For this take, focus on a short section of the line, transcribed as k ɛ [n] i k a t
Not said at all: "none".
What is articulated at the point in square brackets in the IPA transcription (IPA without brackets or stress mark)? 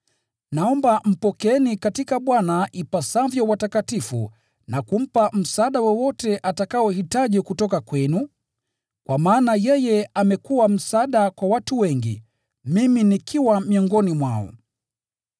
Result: n